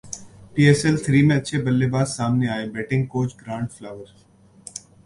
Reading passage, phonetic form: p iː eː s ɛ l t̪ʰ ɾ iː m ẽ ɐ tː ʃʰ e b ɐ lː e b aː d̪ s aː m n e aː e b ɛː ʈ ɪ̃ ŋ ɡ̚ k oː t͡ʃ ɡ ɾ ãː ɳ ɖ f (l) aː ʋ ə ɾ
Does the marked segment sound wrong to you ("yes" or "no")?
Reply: no